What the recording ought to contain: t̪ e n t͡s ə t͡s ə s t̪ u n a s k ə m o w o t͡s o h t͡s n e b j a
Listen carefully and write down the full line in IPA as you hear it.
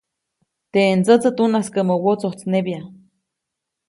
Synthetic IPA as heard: t̪ e n t͡s ə t͡s ə t̪ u n a s k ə m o w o t͡s o h t͡s n e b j a